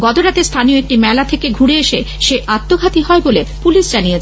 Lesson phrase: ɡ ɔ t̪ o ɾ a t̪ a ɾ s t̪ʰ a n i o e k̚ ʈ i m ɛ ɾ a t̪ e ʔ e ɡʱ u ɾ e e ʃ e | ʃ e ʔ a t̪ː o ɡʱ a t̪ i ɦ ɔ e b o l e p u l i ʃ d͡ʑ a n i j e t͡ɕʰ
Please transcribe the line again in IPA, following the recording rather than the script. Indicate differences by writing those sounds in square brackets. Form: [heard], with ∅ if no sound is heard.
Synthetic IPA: ɡ ɔ t̪ o ɾ a t̪ [e] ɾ s t̪ʰ a n i o e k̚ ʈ i m ɛ [l] a [t̪ʰ] e [k] e ɡʱ u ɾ e e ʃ e | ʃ e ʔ a t̪ː o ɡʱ a t̪ i ɦ ɔ e b o l e p u l i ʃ d͡ʑ a n i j e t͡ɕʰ